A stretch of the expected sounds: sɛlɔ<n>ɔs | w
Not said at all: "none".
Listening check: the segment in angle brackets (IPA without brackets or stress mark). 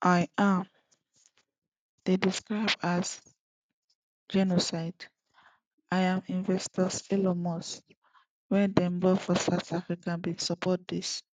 m